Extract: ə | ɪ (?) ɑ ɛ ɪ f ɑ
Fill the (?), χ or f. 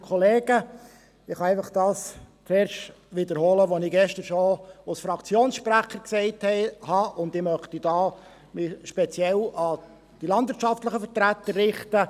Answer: χ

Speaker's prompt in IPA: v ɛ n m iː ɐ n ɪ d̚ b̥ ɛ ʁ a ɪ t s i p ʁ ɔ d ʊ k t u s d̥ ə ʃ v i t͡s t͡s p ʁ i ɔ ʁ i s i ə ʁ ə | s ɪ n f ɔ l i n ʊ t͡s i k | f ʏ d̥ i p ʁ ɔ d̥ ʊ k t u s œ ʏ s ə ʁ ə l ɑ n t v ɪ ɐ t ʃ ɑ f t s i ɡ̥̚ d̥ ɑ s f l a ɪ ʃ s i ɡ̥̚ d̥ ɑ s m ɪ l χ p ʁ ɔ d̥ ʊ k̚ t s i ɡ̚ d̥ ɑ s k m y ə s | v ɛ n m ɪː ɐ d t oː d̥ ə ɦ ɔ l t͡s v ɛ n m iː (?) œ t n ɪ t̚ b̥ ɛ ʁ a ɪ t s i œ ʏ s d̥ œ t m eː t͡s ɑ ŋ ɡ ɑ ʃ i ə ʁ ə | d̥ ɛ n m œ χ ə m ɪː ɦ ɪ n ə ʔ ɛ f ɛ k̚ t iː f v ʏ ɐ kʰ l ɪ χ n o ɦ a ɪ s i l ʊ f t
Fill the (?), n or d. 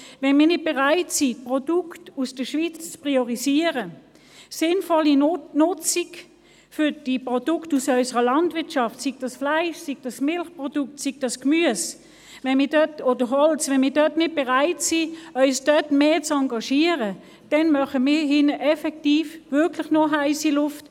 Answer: d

